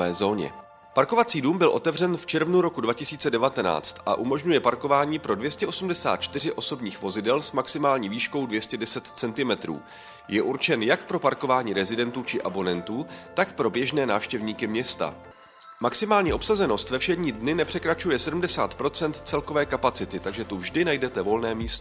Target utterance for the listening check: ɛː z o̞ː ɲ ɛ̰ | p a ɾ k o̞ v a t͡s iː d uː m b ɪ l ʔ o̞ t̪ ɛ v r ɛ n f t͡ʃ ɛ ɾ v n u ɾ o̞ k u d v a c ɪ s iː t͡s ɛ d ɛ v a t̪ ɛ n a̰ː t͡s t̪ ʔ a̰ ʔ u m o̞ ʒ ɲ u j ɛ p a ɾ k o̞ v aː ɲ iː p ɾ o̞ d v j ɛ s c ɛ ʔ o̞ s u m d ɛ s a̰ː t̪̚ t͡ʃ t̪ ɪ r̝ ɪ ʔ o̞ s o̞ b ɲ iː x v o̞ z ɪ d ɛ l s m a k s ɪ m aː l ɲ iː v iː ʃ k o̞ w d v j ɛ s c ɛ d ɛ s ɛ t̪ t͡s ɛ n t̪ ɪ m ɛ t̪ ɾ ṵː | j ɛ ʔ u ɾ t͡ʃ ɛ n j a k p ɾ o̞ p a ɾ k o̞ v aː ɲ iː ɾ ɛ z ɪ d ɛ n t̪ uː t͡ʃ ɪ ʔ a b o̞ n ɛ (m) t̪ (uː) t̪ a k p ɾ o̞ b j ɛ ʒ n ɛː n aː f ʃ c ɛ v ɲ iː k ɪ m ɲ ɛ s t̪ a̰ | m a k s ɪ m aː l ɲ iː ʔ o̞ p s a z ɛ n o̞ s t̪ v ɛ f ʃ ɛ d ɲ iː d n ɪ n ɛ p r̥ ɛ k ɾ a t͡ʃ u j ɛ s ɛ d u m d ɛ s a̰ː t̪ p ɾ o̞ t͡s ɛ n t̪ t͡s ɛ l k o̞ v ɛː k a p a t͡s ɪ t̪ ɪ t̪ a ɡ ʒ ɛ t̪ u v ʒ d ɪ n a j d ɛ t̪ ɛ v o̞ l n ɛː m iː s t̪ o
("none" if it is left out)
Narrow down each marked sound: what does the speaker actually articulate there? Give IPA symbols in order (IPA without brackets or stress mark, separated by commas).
n, uː